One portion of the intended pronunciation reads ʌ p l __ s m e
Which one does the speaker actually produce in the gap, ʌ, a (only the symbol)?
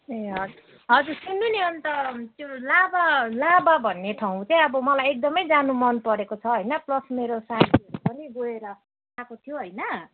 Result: ʌ